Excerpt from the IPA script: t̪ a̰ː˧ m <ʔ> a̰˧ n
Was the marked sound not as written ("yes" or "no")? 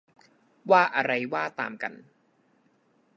yes